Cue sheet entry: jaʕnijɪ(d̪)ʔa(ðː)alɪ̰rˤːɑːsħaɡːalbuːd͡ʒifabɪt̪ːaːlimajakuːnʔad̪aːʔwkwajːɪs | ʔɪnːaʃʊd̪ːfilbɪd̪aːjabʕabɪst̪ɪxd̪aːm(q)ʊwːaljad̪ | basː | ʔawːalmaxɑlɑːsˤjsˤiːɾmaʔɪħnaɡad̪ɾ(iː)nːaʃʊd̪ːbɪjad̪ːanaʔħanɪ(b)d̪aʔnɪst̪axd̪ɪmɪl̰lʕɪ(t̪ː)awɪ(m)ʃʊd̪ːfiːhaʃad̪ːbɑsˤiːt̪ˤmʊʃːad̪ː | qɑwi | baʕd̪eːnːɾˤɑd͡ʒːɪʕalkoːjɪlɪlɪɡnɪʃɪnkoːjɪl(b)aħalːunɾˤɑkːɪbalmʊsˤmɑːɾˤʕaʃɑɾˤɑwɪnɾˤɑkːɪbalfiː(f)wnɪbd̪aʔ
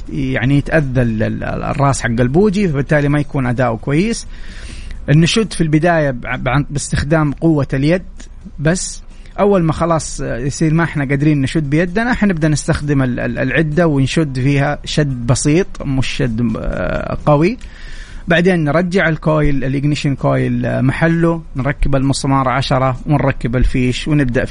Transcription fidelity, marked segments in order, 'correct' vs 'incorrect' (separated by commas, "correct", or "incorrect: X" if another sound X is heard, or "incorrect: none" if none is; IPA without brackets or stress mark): incorrect: t̪, correct, correct, correct, correct, incorrect: d̪ː, incorrect: n, incorrect: m, incorrect: ʃ